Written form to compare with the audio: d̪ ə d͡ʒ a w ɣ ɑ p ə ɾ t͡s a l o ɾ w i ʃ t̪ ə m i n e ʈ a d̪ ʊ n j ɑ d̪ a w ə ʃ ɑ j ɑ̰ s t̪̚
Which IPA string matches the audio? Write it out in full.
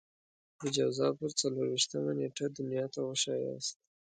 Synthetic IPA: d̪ ə d͡ʒ a w z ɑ p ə ɾ t͡s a l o ɾ w i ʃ t̪ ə m a n e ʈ a d̪ ʊ n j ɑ t̪ a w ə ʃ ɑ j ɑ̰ s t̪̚